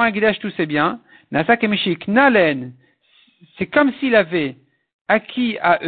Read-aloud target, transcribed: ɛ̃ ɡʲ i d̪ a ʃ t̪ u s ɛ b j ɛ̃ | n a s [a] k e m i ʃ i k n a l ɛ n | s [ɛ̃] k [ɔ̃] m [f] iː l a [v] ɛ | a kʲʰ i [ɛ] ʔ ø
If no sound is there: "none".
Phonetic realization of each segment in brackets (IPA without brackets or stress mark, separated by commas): a, ɛ, ɔ, s, v, a